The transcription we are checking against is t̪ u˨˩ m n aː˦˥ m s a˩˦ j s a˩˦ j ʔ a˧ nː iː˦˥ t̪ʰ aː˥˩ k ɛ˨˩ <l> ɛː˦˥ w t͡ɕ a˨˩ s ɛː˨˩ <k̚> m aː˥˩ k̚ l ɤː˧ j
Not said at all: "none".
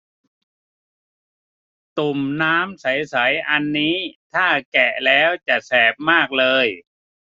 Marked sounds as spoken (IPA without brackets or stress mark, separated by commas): l, p̚